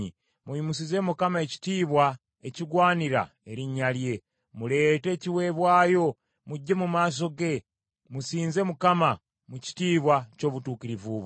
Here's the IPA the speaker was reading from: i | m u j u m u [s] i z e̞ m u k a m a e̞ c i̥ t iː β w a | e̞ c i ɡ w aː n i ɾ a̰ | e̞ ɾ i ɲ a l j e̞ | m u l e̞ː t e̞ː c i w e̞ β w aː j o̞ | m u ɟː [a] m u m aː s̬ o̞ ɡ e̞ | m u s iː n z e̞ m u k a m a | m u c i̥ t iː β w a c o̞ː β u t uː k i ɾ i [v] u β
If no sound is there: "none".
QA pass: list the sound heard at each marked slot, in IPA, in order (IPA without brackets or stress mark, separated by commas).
s, e, v